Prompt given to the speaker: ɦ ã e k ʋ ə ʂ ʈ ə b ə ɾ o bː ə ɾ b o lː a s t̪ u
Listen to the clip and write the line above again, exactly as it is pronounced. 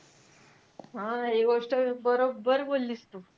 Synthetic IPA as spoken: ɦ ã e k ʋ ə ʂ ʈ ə b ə ɾ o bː ə ɾ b o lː i s t̪ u